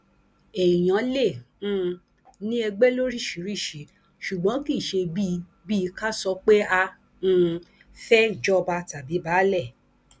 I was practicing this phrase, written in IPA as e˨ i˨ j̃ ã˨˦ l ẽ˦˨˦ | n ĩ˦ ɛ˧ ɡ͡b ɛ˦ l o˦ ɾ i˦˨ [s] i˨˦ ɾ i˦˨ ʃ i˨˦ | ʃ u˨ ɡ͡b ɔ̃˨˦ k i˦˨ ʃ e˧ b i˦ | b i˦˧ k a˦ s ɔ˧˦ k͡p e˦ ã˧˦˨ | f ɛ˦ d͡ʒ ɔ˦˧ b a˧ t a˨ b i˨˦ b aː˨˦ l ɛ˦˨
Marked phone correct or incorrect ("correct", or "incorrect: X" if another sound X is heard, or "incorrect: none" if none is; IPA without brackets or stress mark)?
incorrect: ʃ